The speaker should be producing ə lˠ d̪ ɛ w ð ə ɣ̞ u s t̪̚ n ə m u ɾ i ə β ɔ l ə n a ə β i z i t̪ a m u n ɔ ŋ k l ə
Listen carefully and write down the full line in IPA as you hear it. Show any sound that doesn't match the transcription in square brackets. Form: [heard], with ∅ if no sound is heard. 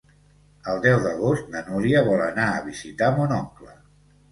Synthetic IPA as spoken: ə lˠ d̪ ɛ w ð ə ɣ̞ [o] s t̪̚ n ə [n] u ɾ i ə β ɔ l ə n a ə β i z i t̪ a m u n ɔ ŋ k l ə